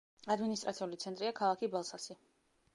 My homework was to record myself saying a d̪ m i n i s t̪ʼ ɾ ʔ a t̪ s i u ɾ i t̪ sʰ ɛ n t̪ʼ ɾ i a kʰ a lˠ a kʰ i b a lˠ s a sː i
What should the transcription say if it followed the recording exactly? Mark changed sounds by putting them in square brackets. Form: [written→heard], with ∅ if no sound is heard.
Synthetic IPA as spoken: a d̪ m i n i s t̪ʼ ɾ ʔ a t̪ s i u [ɾ→l] i t̪ sʰ ɛ n t̪ʼ ɾ i a kʰ a lˠ a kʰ i b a lˠ s a [sː→s] i